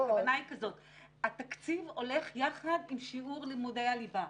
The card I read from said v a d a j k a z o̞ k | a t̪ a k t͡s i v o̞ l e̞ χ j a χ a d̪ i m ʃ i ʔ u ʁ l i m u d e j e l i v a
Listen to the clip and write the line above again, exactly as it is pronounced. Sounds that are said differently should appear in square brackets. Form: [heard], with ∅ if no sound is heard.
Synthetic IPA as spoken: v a [n] a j k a z o̞ [t] | a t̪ a k t͡s i v o̞ l e̞ χ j a χ a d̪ i m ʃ i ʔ u ʁ l i m u d e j [a] l i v a